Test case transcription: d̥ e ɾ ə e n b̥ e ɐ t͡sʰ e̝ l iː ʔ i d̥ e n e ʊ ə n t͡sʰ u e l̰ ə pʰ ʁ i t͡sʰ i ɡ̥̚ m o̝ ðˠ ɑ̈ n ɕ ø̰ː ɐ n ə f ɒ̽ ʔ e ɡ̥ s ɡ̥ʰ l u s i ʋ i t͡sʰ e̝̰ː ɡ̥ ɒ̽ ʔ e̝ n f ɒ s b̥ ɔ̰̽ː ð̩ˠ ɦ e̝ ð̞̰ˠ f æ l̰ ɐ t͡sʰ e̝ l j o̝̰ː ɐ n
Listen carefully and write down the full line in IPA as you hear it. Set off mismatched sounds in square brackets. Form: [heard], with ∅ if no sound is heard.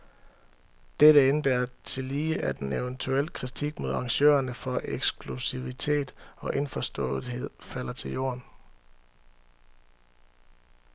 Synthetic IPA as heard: d̥ e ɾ ə e n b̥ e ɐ t͡sʰ e̝ l iː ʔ [æ] d̥ e n e ʊ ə n t͡sʰ u e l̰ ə [kʰ] ʁ i t͡sʰ i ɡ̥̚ m o̝ ðˠ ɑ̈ [ŋ] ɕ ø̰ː ɐ n ə f ɒ̽ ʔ e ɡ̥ s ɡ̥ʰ l u s i ʋ i t͡sʰ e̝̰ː [d̥] ɒ̽ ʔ e̝ n f ɒ s [d̥] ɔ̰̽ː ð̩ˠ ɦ e̝ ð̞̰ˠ f æ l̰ ɐ t͡sʰ e̝ l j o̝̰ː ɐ n